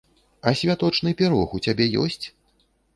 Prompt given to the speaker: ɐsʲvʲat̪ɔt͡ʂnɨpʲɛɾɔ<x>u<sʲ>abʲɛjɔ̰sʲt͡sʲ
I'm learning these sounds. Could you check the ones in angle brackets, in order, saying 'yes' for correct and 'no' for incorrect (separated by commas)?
yes, no